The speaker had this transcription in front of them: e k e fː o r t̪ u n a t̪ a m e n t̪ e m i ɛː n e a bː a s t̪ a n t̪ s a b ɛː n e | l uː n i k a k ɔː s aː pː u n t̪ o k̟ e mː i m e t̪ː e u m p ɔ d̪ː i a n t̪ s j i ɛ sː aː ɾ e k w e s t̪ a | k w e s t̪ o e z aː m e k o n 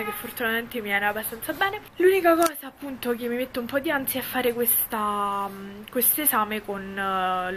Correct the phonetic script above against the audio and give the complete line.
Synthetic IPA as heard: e k e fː o r t̪ u n a t̪ a m e n t̪ e m i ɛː n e a bː a s t̪ a n t̪ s a b ɛː n e | l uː n i k a k ɔː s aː pː u n t̪ o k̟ e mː i m e t̪ː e u m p ɔ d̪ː i a n t̪ s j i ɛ fː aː ɾ e k w e s t̪ a | k w e s t̪ o e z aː m e k o n